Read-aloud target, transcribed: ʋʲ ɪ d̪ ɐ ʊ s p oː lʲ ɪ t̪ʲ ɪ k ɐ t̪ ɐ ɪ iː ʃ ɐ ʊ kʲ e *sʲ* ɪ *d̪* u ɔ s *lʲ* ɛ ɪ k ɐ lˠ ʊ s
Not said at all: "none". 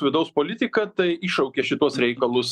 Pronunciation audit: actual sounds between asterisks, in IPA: ʃʲ, t̪, ɾʲ

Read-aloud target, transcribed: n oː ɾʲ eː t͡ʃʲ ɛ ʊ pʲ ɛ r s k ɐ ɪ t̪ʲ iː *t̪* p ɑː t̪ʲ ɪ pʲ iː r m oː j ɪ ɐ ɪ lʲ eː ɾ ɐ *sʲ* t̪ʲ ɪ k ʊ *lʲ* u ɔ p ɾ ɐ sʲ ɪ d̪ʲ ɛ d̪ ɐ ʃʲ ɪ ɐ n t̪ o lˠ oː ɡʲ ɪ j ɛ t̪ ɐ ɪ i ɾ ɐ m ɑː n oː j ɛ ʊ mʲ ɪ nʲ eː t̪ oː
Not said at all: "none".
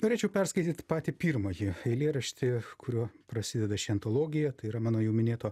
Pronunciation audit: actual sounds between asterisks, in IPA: t̪, ʃʲ, ɾʲ

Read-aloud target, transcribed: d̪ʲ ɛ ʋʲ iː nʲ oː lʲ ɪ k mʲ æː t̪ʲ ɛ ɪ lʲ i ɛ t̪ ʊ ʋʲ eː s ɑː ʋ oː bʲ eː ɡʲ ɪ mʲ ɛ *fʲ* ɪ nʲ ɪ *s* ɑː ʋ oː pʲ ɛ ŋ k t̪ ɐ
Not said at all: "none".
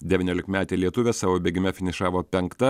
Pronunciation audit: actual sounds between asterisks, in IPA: fʲ, ʃ

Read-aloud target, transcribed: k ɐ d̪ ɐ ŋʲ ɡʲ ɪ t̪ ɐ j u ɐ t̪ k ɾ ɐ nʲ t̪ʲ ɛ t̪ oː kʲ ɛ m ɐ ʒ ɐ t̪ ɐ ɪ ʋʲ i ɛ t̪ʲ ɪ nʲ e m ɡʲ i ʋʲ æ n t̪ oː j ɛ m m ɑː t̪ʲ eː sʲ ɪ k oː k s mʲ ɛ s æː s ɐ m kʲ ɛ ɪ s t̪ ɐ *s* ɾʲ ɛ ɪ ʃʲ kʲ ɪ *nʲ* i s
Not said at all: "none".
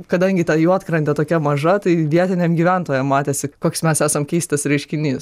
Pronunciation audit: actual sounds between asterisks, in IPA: s, nʲ

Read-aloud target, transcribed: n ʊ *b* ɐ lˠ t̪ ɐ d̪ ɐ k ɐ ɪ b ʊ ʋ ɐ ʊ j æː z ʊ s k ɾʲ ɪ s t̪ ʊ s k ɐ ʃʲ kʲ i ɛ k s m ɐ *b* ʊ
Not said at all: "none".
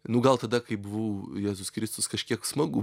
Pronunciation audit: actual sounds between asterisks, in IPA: ɡ, ɡ

